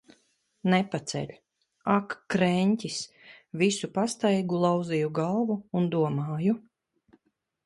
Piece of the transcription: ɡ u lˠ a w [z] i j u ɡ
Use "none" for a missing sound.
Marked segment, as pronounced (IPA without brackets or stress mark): z